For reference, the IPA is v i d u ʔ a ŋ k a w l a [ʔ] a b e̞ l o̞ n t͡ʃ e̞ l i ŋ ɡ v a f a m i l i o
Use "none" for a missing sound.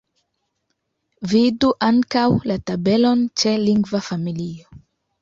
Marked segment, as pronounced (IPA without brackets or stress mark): t